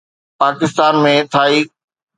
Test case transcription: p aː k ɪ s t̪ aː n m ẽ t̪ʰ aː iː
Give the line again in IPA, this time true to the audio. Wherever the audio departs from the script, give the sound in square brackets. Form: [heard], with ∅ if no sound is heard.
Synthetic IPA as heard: p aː k ɪ s t̪ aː n m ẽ t̪ʰ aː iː